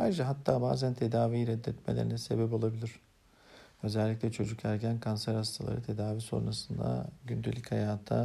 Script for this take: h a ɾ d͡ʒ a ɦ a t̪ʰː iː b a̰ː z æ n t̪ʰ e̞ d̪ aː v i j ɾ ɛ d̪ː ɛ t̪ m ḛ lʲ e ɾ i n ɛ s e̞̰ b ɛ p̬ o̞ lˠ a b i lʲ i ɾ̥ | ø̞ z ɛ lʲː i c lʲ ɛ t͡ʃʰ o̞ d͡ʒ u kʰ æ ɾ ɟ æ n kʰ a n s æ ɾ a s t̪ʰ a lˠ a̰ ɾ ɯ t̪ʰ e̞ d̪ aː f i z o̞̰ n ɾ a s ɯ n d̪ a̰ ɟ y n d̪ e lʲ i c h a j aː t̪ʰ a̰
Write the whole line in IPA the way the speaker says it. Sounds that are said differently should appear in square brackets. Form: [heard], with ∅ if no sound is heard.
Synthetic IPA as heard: h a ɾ d͡ʒ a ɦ a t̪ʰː [aː] b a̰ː z æ n t̪ʰ e̞ d̪ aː v i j ɾ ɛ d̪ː ɛ t̪ m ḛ lʲ e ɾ i n ɛ s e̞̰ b ɛ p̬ o̞ lˠ a b i lʲ i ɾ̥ | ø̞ z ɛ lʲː i c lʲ ɛ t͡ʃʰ o̞ d͡ʒ u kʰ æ ɾ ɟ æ n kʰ a n s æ ɾ a s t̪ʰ a lˠ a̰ ɾ ɯ t̪ʰ e̞ d̪ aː [v] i [s] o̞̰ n ɾ a s ɯ n d̪ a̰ ɟ y n d̪ e lʲ i c h a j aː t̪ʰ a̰